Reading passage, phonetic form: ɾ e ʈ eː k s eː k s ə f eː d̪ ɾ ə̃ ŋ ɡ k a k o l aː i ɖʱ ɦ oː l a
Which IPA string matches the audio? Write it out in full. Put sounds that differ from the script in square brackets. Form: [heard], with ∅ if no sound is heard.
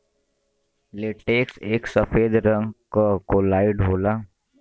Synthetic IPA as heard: [l] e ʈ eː k s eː k s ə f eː d̪ ɾ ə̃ ŋ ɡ k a k o l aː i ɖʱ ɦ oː l a